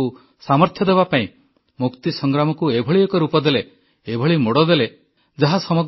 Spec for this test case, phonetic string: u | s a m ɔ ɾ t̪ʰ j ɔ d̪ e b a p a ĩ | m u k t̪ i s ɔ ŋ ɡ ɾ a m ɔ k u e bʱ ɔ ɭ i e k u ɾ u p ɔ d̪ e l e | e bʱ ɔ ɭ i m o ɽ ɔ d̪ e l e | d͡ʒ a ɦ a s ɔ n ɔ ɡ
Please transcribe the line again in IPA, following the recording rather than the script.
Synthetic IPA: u | s a m ɔ ɾ t̪ʰ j ɔ d̪ e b a p a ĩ | m u k t̪ i s ɔ ŋ ɡ ɾ a m ɔ k u e bʱ ɔ ɭ i e k ɔ ɾ u p ɔ d̪ e l e | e bʱ ɔ ɭ i m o ɽ ɔ d̪ e l e | d͡ʒ a ɦ a s ɔ m ɔ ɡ